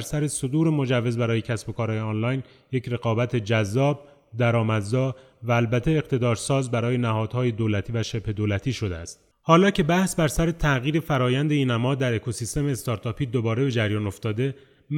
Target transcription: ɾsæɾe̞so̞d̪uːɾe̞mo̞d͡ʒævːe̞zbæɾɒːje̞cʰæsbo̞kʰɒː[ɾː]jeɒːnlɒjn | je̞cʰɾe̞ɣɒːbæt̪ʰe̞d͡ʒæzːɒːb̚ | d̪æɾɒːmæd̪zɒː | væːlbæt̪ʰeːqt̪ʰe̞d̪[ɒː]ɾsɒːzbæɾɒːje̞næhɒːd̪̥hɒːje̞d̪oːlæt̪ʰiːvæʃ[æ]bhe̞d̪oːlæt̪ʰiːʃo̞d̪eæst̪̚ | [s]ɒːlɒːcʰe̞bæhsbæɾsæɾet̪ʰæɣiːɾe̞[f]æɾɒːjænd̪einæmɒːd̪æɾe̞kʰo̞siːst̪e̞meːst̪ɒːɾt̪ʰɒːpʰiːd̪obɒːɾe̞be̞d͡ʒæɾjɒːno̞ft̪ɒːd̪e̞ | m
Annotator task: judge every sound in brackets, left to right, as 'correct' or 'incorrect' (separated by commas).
correct, correct, incorrect, incorrect, correct